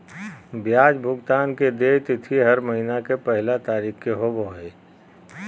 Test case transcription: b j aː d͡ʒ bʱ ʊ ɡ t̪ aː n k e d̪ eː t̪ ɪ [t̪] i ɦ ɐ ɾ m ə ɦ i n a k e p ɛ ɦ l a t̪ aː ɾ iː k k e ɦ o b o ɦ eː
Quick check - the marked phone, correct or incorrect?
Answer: incorrect: t̪ʰ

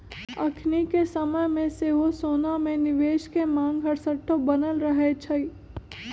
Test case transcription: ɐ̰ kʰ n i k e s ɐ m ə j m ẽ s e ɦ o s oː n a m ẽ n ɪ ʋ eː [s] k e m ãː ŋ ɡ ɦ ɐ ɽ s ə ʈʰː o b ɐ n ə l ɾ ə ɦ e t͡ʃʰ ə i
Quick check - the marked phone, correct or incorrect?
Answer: incorrect: ʃ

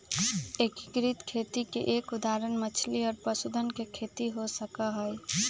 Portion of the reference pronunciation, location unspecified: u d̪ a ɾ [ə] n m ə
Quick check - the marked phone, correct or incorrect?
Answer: correct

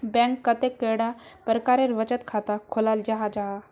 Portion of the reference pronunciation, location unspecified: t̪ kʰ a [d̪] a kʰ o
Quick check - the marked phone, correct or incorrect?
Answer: incorrect: t̪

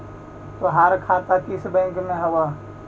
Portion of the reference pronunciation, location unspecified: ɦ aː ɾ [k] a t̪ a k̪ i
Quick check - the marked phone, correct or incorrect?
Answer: incorrect: kʰ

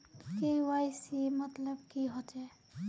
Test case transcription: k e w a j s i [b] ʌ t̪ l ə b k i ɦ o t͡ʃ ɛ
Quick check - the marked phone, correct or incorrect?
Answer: incorrect: m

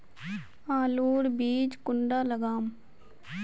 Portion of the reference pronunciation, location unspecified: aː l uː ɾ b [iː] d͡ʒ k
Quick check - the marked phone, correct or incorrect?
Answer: correct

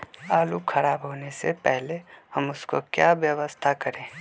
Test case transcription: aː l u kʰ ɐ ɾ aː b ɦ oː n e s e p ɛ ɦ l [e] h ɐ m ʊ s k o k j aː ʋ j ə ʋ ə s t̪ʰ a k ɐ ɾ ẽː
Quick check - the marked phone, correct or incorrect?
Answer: correct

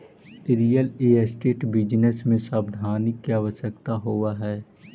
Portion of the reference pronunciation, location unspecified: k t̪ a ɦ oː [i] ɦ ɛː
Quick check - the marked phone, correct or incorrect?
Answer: incorrect: a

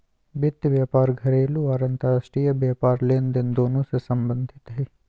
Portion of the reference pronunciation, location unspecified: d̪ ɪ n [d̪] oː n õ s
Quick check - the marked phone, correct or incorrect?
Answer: correct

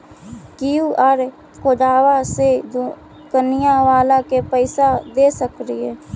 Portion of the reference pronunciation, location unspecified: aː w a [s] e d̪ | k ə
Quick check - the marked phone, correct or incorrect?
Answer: correct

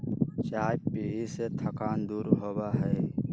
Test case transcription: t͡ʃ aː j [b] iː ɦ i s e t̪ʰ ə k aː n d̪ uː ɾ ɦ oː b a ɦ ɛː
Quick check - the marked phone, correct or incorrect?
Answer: incorrect: p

